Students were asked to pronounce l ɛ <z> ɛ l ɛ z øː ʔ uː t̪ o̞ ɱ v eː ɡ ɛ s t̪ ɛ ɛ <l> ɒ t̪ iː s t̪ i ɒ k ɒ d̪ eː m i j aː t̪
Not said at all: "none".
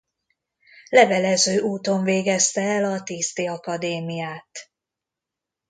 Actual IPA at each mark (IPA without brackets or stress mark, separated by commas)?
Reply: v, l